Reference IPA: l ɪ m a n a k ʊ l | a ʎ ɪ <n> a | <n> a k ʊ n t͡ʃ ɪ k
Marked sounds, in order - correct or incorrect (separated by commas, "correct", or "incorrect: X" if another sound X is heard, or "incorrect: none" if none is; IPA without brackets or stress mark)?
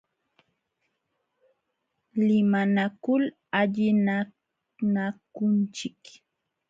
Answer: correct, correct